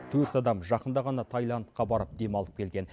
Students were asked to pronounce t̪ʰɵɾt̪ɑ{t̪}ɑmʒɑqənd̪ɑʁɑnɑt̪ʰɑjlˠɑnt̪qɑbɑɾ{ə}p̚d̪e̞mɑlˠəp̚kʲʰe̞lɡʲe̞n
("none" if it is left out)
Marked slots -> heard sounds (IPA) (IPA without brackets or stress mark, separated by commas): d̪, ə